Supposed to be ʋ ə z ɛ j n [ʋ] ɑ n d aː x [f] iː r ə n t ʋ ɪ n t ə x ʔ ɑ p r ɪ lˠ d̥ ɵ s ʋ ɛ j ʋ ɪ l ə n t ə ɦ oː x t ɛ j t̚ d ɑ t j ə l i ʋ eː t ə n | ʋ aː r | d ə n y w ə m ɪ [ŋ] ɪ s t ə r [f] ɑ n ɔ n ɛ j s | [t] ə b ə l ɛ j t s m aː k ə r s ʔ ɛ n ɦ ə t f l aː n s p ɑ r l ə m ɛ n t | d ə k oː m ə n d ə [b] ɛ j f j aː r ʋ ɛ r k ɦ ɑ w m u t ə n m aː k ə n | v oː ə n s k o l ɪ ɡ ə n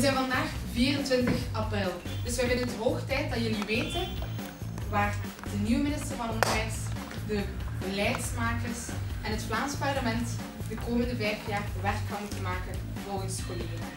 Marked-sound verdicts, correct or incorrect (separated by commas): incorrect, incorrect, incorrect, incorrect, incorrect, incorrect